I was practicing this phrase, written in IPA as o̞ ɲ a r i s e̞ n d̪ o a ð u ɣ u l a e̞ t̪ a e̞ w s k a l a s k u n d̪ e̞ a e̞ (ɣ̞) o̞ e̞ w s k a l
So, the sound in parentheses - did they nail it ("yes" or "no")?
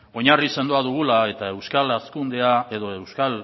no